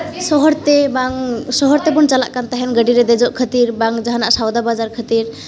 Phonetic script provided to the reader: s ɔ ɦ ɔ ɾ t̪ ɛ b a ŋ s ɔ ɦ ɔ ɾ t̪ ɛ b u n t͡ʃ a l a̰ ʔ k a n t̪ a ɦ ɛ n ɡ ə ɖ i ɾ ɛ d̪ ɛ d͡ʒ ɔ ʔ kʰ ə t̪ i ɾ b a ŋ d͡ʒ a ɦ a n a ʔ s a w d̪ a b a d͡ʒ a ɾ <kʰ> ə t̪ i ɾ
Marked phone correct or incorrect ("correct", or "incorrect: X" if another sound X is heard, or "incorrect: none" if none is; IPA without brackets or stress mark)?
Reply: correct